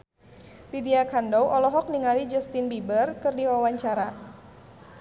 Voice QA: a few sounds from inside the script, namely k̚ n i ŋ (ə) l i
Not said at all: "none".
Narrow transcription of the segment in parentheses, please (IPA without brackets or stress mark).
a